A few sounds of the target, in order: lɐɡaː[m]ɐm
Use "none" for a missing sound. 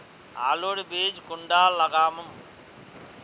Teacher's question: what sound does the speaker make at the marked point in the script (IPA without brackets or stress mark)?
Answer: m